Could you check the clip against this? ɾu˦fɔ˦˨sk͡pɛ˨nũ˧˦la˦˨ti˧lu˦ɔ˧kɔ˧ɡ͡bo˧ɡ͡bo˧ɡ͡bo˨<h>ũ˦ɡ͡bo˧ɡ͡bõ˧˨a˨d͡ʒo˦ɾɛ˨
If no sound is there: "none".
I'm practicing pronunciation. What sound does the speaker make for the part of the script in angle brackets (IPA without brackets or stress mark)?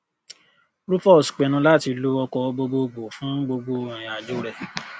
f